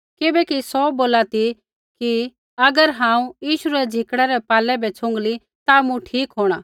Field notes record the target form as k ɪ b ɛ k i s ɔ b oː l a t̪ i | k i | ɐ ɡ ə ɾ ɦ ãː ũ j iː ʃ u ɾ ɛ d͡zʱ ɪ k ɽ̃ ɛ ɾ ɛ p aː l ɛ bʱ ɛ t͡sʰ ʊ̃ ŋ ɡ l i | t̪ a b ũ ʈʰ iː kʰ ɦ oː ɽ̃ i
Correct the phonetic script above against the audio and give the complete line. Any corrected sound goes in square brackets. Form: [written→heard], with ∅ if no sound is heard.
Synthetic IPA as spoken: k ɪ b ɛ k i s ɔ b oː l a t̪ i | k i | ɐ ɡ ə ɾ ɦ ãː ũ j iː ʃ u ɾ ɛ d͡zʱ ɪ k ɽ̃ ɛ ɾ ɛ p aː l ɛ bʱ ɛ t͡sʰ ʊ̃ ŋ ɡ l i | t̪ a [b→m] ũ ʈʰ iː [kʰ→k] ɦ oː ɽ̃ [i→a]